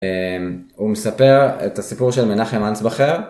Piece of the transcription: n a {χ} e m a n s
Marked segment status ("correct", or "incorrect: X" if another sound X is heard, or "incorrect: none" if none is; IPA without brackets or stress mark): correct